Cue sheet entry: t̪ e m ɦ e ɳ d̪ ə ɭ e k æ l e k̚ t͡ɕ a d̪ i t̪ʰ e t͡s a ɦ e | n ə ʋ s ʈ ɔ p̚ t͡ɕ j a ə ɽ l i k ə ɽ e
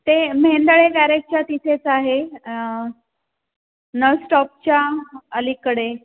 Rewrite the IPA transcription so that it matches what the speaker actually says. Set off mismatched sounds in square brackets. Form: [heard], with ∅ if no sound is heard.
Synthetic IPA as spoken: t̪ e m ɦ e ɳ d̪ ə ɭ e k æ [ɾ] e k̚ t͡ɕ a [t̪] i t̪ʰ e t͡s a ɦ e | n ə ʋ s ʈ ɔ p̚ t͡ɕ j a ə [∅] l i k ə ɽ e